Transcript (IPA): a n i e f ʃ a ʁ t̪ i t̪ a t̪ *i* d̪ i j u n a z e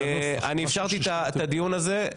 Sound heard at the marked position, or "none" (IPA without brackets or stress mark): a